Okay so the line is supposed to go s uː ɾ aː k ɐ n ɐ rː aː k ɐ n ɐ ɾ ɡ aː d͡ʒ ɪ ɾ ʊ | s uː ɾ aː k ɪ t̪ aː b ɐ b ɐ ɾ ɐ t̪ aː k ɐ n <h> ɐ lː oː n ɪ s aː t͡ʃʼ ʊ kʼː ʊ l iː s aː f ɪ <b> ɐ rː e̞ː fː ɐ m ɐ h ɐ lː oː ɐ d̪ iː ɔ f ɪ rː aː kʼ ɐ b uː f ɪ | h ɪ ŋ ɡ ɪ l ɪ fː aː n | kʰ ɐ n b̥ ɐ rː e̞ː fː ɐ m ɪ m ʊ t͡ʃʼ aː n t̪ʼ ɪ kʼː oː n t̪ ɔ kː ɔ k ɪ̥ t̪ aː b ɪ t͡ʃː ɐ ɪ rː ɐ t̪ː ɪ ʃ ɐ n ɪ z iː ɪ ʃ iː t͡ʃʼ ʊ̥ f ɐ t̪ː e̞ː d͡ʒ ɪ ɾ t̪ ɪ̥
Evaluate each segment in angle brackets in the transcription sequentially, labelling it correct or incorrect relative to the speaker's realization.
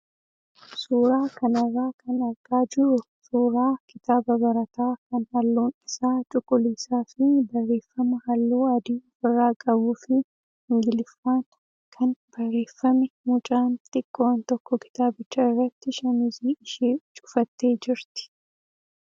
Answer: correct, correct

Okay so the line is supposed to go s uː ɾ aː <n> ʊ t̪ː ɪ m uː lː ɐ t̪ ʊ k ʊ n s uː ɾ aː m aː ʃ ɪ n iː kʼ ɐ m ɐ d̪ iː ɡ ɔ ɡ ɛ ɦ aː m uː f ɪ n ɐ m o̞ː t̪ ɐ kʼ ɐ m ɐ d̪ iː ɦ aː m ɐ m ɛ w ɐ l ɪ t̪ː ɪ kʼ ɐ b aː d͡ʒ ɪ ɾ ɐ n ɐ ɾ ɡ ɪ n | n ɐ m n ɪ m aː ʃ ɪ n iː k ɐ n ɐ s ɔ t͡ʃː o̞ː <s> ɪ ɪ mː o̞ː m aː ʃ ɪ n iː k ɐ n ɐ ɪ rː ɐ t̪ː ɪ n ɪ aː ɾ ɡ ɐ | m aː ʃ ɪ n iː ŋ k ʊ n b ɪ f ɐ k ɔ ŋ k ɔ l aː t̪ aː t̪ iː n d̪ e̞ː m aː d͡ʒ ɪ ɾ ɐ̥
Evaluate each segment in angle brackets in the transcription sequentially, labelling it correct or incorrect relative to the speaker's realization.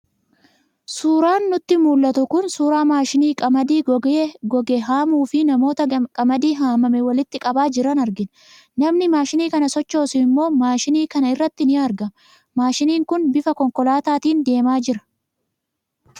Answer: incorrect: nː, correct

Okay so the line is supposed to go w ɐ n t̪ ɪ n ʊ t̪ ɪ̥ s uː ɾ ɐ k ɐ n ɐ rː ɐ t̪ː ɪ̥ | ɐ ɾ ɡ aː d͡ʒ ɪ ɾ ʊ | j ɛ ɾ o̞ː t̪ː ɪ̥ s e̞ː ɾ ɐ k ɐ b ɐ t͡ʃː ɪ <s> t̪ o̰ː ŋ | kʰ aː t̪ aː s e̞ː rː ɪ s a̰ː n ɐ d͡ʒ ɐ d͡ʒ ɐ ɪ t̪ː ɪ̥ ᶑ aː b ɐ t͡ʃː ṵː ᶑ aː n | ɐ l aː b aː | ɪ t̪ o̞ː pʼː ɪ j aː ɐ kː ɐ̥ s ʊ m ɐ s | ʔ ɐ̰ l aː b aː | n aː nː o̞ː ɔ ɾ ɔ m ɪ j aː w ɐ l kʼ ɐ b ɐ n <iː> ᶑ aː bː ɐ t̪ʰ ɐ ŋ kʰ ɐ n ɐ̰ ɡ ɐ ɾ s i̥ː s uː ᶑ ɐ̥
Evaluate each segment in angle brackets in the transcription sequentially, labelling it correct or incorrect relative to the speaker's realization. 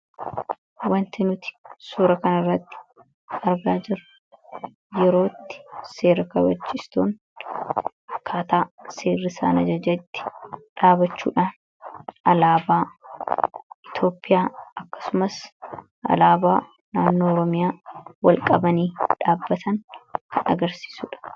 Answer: correct, correct

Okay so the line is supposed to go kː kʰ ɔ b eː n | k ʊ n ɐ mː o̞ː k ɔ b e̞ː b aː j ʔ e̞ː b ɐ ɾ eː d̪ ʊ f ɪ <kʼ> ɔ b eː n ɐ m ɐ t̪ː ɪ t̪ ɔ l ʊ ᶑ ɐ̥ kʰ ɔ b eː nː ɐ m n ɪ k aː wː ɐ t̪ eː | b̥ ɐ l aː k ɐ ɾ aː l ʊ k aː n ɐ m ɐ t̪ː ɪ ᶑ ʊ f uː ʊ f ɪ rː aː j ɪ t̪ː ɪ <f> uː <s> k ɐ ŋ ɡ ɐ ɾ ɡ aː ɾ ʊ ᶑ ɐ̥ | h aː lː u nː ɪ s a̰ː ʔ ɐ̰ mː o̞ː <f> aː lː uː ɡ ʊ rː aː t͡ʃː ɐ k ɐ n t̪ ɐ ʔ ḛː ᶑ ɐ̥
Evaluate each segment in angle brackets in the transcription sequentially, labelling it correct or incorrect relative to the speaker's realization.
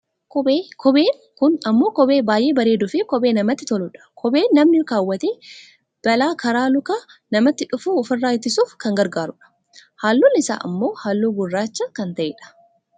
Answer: incorrect: k, incorrect: s, incorrect: f, incorrect: h

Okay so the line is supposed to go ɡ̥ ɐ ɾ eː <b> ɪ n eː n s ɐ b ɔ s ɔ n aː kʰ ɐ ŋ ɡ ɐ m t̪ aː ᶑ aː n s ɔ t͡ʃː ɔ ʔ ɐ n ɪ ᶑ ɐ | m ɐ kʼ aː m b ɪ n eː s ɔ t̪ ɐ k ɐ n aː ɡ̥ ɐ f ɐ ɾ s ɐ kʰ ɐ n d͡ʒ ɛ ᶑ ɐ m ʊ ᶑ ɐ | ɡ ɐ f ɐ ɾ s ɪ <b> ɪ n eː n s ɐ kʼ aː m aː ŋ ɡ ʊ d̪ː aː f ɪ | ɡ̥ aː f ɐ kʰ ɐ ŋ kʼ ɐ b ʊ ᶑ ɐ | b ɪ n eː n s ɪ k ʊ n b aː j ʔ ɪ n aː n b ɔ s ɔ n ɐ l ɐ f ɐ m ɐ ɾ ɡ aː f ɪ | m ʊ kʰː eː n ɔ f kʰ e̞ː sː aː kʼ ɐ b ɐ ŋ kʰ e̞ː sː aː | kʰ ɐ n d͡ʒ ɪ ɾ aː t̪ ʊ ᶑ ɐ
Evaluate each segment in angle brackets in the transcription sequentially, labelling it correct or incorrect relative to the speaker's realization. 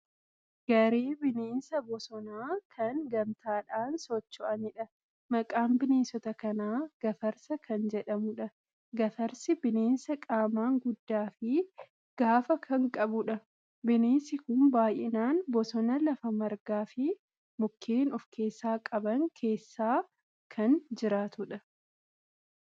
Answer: correct, correct

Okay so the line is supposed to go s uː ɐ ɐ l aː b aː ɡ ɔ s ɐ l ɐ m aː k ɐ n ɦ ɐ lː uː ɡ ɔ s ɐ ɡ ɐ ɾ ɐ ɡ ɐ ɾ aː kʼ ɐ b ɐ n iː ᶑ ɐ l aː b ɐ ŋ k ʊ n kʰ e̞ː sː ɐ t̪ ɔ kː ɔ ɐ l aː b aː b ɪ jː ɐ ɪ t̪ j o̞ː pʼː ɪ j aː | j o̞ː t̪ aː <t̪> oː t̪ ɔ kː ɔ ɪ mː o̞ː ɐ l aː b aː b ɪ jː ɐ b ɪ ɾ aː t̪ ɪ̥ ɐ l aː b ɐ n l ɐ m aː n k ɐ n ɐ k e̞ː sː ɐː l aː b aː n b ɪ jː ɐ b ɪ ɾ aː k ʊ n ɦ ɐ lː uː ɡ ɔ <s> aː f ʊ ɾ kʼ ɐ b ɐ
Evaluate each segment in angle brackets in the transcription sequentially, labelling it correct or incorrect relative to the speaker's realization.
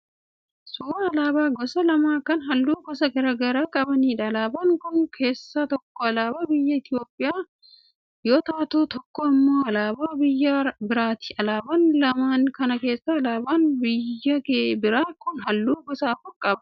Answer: correct, correct

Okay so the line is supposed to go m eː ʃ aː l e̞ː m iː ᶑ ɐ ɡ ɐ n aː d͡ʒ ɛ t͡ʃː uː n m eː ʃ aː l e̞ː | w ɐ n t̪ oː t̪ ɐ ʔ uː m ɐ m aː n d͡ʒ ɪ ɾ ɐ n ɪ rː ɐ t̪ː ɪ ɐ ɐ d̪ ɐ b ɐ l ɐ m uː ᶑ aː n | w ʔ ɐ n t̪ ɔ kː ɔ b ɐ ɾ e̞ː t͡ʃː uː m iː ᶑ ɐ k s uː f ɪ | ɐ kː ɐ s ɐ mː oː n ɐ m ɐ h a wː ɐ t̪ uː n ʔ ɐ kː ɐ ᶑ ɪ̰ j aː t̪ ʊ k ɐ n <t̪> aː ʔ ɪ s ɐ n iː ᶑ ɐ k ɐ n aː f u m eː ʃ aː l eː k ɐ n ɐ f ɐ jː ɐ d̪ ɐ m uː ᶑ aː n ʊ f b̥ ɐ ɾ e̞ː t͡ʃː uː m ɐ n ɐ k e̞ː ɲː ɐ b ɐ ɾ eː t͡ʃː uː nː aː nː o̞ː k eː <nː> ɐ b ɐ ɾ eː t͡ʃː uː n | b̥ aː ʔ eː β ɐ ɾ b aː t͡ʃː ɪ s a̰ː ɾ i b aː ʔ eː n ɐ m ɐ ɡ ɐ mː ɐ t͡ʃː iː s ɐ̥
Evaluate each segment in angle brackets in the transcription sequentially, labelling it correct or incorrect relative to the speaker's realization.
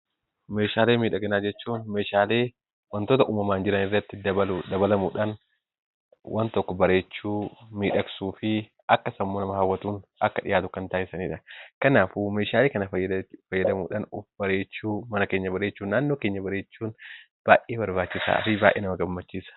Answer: correct, incorrect: ɲː

